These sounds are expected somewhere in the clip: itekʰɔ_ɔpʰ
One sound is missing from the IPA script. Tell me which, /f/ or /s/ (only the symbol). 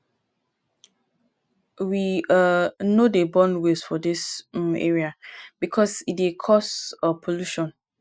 s